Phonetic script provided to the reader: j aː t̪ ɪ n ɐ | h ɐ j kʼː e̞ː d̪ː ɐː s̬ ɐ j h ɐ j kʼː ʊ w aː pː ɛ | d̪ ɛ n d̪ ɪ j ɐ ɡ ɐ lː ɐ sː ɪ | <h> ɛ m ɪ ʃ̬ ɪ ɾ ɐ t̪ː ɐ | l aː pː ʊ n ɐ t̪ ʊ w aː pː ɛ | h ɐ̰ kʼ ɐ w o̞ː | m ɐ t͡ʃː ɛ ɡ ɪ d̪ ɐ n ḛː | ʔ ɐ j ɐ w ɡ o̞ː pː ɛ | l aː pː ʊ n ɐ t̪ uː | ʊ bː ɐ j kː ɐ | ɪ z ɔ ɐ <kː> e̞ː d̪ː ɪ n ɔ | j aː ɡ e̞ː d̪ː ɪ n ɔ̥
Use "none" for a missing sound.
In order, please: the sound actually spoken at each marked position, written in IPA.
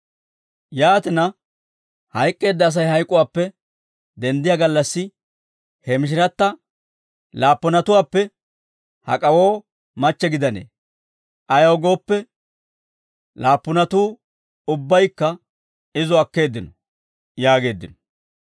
h, kː

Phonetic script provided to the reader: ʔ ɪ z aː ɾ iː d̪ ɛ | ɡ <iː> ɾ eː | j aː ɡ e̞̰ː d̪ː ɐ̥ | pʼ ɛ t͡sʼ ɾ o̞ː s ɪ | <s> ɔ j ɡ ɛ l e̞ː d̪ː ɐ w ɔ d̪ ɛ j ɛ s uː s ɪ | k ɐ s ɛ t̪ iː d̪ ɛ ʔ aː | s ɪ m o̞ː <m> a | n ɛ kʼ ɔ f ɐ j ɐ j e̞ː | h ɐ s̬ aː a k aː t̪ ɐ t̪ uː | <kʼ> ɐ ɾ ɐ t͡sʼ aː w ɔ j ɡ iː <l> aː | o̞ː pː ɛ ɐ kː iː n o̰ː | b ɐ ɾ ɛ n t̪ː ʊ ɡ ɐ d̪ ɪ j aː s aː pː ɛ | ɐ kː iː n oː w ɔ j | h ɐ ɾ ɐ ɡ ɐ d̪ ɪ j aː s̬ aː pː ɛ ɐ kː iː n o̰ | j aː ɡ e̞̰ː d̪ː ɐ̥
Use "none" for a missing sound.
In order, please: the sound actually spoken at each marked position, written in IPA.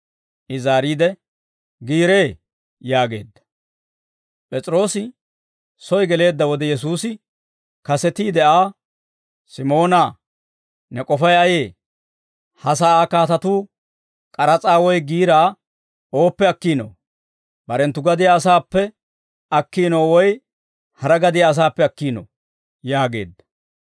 iː, s, n, kʼ, ɾ

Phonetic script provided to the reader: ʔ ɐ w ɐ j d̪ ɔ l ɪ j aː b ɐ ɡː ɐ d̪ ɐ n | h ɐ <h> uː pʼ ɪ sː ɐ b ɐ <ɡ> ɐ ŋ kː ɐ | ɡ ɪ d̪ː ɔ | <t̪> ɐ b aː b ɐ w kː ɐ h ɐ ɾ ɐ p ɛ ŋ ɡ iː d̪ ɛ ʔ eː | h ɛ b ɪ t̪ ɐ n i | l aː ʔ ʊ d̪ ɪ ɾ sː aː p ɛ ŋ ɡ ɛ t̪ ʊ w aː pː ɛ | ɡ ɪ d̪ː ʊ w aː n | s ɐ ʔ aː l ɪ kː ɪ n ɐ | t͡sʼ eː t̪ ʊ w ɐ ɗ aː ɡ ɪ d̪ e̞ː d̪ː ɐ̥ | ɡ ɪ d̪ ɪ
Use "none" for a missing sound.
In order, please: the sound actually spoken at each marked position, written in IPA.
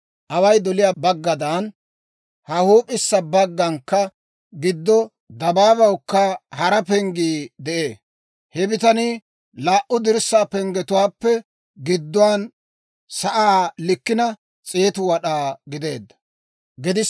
h, ɡː, d̪

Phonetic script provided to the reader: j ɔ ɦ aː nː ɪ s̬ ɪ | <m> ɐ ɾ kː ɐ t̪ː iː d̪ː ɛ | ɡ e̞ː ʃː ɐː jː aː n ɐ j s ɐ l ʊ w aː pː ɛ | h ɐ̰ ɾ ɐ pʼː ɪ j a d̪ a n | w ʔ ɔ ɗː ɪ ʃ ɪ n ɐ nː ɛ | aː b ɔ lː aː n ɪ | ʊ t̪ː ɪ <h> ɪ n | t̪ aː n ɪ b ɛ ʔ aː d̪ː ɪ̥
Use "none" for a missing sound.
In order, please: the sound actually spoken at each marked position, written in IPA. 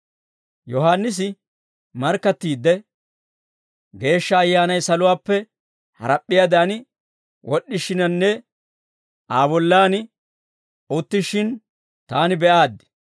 m, ʃ

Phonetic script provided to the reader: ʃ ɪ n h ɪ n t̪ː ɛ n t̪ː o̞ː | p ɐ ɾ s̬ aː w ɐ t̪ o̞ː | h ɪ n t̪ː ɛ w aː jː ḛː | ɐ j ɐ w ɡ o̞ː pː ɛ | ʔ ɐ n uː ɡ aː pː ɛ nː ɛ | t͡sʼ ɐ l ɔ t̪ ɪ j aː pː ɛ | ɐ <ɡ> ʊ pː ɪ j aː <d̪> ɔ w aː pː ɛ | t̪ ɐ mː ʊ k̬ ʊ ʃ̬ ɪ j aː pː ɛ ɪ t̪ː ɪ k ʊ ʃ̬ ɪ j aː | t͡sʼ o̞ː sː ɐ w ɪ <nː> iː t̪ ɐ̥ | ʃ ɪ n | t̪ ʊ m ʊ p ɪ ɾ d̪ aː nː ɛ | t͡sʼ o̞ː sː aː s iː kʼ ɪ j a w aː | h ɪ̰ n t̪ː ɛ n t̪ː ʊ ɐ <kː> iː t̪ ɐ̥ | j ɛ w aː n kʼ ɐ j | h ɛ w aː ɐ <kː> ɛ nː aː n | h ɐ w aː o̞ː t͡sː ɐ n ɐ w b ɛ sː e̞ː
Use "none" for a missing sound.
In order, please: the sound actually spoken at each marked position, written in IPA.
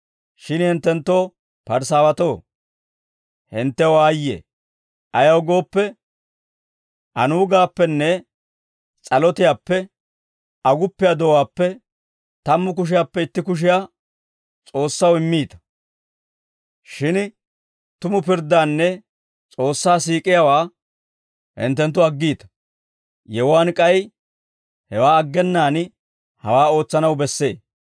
ɡ, d̪, mː, ɡː, ɡː

